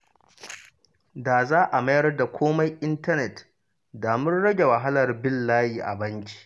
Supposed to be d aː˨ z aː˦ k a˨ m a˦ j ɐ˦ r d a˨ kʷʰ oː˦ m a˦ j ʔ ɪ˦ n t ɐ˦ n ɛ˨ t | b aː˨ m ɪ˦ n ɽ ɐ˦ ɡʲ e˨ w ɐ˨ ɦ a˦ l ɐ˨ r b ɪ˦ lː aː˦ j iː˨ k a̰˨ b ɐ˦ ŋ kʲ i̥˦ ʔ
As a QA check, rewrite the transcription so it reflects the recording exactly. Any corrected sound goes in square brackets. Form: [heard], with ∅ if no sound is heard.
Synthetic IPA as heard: d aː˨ z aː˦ [ʔ] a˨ m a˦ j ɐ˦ r d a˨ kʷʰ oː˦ m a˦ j ʔ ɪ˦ n t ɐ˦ n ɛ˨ t | [d] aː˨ m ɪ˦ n ɽ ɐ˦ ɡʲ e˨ w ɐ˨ ɦ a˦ l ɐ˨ r b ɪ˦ lː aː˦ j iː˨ [ʔ] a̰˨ b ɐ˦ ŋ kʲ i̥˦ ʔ